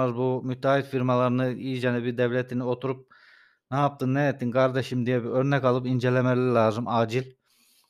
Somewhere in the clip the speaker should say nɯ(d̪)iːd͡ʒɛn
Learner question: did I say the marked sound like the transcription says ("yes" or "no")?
no